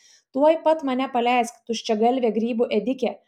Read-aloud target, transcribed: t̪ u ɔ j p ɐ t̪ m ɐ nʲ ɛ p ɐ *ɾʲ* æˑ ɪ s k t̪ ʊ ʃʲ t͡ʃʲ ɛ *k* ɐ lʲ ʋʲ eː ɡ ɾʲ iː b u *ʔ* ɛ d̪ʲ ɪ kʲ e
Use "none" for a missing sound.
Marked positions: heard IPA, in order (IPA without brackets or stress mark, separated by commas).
lʲ, ɡ, ʔ